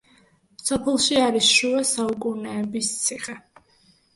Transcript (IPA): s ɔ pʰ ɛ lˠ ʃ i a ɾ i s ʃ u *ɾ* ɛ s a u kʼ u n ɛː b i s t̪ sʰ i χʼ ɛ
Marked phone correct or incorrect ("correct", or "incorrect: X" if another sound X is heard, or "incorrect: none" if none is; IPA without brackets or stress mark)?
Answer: incorrect: none